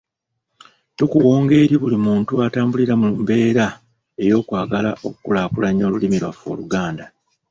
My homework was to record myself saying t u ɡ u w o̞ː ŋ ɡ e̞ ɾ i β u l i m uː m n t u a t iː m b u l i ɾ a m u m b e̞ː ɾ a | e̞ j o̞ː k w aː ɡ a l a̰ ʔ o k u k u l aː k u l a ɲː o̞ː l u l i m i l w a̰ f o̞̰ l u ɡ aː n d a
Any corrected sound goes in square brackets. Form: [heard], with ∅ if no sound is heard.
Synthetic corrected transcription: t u [k] u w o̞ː ŋ ɡ e̞ ɾ i β u l i m uː [∅] n t u a t [aː] m b u l i ɾ a m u m b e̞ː ɾ a | e̞ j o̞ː k w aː ɡ a l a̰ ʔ o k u k u l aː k u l a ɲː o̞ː l u l i m i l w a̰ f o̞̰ l u ɡ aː n d a